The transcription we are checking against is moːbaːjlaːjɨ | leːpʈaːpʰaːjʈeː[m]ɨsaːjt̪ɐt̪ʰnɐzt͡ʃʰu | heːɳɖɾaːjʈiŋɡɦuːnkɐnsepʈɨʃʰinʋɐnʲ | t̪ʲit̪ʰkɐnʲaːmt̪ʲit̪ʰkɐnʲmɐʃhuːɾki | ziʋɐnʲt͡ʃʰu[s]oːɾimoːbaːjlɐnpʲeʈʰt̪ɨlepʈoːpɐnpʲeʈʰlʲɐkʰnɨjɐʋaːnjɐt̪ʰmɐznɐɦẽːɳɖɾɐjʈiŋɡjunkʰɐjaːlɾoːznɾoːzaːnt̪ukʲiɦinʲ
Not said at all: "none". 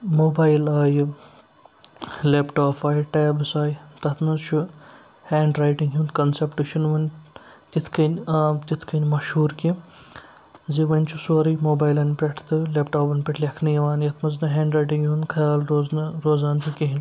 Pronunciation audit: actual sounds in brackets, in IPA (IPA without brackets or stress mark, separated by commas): b, s